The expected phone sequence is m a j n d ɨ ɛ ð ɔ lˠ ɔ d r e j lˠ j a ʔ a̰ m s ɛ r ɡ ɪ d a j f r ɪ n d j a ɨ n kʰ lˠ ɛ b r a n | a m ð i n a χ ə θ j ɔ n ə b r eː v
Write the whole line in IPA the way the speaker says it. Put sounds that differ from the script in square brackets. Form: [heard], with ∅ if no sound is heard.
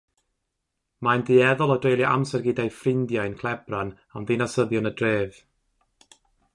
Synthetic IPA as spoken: m a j n d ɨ ɛ ð ɔ lˠ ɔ d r e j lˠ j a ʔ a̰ m s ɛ r ɡ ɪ d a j f r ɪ n d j a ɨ n kʰ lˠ ɛ b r a n | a m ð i n a [s] ə [ð] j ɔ n ə [d] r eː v